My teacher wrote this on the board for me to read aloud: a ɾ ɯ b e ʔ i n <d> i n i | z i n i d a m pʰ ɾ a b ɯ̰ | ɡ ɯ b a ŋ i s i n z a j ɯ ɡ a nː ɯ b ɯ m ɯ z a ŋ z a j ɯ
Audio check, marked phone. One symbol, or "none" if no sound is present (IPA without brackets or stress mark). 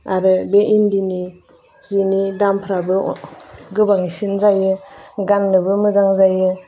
d